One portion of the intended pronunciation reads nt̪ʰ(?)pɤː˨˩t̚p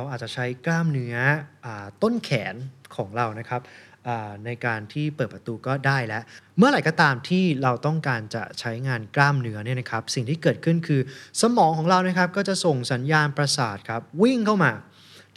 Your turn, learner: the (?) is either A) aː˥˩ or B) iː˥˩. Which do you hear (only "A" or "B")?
B